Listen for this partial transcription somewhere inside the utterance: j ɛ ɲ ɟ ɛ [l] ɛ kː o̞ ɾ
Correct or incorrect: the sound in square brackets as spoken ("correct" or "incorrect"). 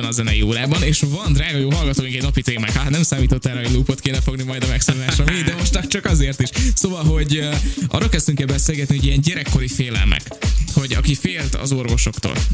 incorrect